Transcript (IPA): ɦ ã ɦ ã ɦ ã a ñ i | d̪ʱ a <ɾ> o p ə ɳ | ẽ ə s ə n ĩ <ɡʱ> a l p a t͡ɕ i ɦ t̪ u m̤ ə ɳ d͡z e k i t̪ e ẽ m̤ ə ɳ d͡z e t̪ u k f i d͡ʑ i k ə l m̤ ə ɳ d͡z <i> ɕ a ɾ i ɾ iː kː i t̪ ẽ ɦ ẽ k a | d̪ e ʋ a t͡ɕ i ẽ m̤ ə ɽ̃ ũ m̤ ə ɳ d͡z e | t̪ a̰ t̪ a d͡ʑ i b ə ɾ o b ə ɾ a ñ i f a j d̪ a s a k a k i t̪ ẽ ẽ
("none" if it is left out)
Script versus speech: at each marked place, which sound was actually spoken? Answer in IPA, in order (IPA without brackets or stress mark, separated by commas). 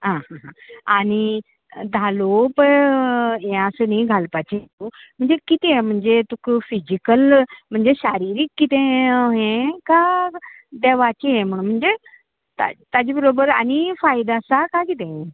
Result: l, ɡʱ, e